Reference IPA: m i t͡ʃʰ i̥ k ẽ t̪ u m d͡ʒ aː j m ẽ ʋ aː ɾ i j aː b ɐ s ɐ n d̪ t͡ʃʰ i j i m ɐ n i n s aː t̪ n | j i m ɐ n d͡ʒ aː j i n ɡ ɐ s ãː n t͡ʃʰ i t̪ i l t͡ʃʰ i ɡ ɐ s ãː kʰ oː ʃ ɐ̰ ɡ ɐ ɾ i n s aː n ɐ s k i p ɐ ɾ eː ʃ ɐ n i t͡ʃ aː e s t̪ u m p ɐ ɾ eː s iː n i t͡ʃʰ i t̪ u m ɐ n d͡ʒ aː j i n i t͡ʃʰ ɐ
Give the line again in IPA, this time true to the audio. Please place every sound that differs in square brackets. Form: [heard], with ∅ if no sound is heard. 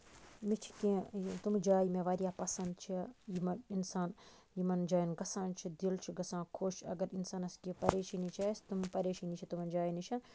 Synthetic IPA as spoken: m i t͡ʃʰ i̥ k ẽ t̪ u m d͡ʒ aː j m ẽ ʋ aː ɾ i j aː [p] ɐ s ɐ n d̪ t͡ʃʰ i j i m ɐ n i n s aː [∅] n | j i m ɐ n d͡ʒ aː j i n ɡ ɐ s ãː n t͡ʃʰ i [d̪] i l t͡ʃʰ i ɡ ɐ s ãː kʰ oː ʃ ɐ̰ ɡ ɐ ɾ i n s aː n ɐ s k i p ɐ ɾ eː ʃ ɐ n i t͡ʃ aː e s t̪ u m p ɐ ɾ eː [ʃ] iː n i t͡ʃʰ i t̪ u m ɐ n d͡ʒ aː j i n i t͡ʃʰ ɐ